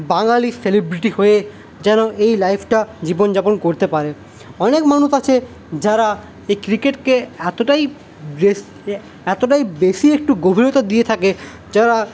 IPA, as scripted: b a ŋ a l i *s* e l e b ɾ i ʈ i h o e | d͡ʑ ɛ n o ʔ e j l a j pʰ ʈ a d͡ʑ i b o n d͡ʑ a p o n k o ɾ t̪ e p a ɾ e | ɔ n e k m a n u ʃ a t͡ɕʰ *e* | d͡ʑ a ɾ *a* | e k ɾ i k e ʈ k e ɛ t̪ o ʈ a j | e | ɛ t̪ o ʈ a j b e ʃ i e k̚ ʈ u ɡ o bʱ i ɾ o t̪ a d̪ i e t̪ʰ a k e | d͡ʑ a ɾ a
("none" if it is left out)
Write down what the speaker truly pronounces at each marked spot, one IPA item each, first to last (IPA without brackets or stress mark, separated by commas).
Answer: s, e, a